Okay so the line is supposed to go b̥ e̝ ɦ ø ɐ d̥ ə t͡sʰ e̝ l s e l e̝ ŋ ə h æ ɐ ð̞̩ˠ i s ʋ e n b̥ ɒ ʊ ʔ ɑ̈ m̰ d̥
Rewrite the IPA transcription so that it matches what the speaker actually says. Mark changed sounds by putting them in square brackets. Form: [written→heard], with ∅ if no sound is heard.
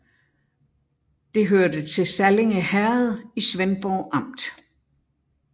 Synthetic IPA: [b̥→d̥] e̝ ɦ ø ɐ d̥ ə t͡sʰ e̝ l s [e→æ] l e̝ ŋ ə h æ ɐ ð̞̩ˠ i s ʋ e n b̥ ɒ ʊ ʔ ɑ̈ m̰ d̥